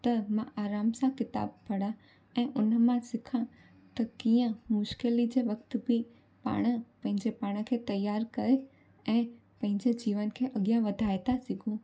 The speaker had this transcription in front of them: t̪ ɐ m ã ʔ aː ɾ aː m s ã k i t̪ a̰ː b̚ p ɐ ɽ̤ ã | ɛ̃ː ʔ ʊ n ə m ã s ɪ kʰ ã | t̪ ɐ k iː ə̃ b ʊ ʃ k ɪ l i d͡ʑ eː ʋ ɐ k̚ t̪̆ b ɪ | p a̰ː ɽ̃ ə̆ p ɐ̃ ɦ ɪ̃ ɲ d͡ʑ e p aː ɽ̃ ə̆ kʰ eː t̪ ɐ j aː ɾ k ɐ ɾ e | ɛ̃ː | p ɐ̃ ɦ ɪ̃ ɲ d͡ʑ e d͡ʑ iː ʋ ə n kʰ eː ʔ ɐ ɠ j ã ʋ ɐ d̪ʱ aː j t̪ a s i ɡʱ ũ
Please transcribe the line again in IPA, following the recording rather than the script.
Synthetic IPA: t̪ ɐ m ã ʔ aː ɾ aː m s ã k ɪ t̪ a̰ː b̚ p ɐ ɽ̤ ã | ɛ̃ː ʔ ʊ n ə m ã s ɪ kʰ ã | t̪ ɐ k iː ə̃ m ʊ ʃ k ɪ l i d͡ʑ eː ʋ ɐ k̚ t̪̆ b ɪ | p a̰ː ɽ̃ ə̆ p ɐ̃ ɦ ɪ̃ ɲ d͡ʑ e p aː ɽ̃ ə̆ kʰ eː t̪ ɐ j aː ɾ k ɐ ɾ e | ɛ̃ː | p ɐ̃ ɦ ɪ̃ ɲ d͡ʑ e d͡ʑ iː ʋ ə n kʰ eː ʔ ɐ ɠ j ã ʋ ɐ d̪ʱ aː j t̪ a s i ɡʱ ũ